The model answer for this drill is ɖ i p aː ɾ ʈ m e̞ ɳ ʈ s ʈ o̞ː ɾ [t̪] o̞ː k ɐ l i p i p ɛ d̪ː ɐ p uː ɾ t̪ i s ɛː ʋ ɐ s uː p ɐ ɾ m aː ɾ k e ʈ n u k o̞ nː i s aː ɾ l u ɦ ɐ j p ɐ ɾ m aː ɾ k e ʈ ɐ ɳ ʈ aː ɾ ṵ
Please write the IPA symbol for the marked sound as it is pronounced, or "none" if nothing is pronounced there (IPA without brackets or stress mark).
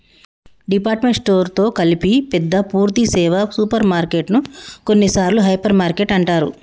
t̪